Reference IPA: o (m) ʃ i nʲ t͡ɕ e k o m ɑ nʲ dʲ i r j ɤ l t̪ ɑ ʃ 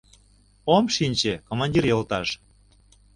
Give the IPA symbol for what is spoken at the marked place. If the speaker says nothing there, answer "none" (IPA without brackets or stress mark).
m